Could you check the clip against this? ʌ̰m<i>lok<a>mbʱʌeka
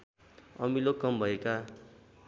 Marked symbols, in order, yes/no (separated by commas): yes, no